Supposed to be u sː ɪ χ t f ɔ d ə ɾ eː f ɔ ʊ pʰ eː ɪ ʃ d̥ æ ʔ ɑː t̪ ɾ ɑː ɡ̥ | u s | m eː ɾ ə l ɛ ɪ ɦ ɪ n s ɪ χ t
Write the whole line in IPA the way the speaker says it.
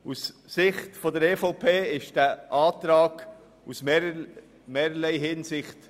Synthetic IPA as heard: u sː ɪ χ t f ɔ d ə ɾ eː f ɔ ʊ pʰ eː ɪ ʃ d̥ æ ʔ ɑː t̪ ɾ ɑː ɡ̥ | u s | m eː ɾ ə l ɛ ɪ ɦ ɪ n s ɪ χ t